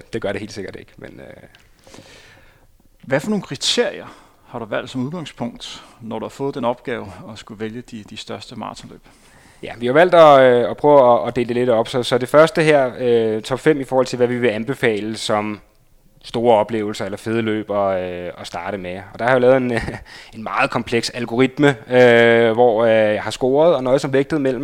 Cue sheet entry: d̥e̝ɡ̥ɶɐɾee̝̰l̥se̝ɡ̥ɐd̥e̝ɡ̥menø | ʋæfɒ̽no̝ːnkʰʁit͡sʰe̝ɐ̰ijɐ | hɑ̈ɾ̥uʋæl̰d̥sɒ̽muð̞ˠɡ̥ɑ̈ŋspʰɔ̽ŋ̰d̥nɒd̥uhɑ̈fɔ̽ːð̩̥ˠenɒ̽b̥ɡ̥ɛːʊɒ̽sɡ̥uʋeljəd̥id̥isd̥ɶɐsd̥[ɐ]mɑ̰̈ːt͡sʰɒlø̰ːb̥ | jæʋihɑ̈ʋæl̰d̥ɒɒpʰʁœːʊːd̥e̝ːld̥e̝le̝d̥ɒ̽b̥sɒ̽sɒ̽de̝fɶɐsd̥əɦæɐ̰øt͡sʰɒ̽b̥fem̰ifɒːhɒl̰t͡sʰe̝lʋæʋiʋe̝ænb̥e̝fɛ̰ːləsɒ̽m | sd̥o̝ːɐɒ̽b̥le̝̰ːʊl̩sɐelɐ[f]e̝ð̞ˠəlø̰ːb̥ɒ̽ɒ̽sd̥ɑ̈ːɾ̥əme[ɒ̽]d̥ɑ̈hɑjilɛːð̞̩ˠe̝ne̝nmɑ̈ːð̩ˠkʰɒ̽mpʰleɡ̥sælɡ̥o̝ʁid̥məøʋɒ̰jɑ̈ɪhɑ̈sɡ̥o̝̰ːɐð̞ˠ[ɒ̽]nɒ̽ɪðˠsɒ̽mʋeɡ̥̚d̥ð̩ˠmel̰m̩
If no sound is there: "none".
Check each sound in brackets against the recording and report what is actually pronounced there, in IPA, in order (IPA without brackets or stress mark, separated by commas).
ə, f, ɒ̽, ɒ̽